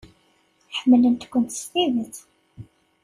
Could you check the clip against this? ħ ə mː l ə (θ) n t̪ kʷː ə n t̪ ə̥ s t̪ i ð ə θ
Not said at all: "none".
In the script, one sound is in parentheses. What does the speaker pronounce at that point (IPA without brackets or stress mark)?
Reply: none